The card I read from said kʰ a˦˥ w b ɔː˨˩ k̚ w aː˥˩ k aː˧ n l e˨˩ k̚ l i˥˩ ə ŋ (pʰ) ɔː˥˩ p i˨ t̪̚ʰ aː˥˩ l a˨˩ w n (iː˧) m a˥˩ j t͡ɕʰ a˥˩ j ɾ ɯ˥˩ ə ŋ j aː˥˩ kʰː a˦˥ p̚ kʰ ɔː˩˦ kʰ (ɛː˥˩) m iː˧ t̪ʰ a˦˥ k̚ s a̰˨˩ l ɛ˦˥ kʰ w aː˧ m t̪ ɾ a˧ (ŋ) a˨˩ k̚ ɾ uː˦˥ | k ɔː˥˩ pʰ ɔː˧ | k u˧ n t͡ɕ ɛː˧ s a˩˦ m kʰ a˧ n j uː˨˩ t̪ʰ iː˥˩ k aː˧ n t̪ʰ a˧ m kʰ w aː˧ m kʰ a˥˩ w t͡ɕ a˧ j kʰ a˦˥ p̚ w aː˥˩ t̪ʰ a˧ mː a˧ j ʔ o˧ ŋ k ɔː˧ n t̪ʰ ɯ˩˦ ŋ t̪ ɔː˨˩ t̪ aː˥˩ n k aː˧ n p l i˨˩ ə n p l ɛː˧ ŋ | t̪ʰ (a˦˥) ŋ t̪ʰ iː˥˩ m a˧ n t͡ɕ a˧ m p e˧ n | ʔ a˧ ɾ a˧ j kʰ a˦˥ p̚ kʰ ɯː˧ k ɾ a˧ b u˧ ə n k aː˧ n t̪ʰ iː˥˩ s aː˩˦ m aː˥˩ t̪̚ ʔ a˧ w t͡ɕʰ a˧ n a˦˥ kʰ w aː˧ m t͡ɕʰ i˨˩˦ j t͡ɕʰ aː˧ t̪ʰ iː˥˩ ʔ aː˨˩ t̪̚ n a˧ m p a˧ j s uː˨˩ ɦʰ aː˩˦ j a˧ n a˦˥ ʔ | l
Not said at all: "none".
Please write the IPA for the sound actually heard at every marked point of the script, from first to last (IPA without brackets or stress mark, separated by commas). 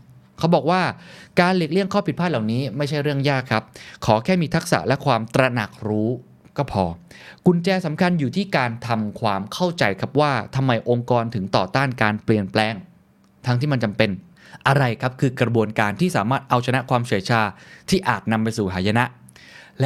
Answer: kʰ, iː˦˥, ɛː˥˩, n, a˦˥